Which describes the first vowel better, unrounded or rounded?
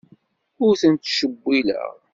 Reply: rounded